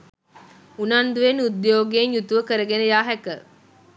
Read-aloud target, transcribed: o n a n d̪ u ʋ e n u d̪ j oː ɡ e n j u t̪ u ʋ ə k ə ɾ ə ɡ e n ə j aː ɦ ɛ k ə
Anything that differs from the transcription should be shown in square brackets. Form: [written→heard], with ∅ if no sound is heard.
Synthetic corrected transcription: [o→u] n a n d̪ u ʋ e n u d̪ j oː ɡ e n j u t̪ u ʋ ə k ə ɾ ə ɡ e n ə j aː ɦ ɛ k ə